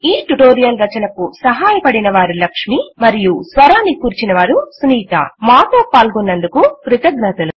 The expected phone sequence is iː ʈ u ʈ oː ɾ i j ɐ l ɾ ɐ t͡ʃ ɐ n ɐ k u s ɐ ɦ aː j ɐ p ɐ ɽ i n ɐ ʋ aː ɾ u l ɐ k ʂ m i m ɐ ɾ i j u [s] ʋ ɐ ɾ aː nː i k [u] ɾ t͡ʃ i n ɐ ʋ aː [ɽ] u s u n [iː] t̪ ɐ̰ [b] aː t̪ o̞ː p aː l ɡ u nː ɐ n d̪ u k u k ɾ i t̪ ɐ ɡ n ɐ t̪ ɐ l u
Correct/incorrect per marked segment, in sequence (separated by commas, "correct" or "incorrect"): correct, incorrect, incorrect, correct, incorrect